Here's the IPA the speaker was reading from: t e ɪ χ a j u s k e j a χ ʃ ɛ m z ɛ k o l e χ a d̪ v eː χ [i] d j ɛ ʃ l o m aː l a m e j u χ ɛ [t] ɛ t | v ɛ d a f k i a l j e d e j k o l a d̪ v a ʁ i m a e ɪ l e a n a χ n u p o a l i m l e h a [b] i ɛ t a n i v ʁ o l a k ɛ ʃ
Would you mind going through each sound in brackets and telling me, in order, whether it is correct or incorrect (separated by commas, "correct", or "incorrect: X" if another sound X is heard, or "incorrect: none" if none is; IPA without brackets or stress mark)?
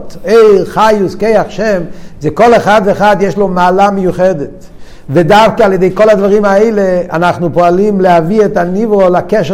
incorrect: a, incorrect: d, incorrect: v